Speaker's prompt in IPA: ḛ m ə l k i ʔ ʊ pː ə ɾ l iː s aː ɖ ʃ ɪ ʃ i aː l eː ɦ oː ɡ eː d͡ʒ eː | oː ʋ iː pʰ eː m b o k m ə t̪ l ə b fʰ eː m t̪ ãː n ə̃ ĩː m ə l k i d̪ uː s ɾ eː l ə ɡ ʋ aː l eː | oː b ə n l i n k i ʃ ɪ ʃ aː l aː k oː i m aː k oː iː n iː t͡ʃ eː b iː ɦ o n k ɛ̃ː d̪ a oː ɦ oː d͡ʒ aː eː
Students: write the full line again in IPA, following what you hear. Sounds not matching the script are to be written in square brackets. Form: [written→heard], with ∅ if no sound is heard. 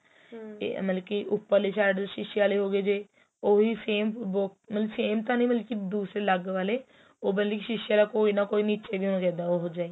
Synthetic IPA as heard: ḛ m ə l k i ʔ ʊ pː ə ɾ l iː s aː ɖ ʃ ɪ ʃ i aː l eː ɦ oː ɡ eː d͡ʒ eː | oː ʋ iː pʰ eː m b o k m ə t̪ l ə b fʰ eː m t̪ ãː n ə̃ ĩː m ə l k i d̪ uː s ɾ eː l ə ɡ ʋ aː l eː | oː b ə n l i [n→∅] k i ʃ ɪ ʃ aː l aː k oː i [m→n] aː k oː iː n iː t͡ʃ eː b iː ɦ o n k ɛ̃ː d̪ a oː ɦ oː d͡ʒ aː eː